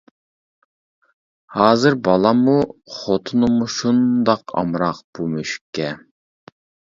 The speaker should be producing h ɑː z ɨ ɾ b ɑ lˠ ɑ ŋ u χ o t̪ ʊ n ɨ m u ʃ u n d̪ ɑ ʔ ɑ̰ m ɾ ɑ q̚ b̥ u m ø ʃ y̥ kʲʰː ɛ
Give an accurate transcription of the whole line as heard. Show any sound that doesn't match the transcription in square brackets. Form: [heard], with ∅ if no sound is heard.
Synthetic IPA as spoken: h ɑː z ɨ ɾ b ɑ lˠ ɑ [m] u χ o [t̪ʰ] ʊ n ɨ m u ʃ u n d̪ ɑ [q] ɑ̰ m ɾ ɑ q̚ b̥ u m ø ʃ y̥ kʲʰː ɛ

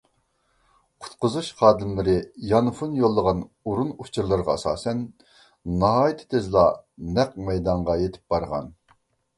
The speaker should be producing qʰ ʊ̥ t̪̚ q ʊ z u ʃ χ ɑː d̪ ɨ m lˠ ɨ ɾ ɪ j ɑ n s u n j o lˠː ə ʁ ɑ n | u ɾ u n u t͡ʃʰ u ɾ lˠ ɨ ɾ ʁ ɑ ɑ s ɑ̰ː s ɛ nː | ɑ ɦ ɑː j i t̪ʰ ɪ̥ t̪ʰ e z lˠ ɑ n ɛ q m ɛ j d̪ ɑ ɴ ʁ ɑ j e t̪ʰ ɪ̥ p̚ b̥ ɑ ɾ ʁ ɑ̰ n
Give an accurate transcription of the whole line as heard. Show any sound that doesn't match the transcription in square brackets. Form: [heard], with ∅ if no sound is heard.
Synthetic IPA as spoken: qʰ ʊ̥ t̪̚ q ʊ z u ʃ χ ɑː d̪ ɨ m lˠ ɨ ɾ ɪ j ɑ n [f] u n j o lˠː ə ʁ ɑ n | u ɾ u n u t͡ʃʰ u ɾ lˠ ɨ ɾ ʁ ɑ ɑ s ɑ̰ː s ɛ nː | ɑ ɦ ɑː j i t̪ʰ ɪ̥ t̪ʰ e z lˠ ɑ n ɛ q m ɛ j d̪ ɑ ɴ ʁ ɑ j e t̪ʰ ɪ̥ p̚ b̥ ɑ ɾ ʁ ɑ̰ n

